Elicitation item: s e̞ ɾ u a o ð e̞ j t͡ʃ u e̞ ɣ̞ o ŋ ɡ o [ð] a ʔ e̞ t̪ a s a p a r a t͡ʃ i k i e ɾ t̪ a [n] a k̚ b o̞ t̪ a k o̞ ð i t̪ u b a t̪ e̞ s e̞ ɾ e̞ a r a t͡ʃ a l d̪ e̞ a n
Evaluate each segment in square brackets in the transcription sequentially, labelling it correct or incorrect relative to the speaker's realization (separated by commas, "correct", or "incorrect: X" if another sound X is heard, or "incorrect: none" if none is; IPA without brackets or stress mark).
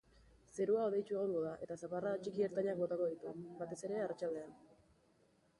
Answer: correct, incorrect: ɲ